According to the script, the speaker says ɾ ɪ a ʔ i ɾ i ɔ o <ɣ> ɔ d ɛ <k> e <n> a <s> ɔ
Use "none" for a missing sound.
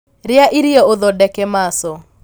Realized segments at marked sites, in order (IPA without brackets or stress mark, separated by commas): ð, k, m, s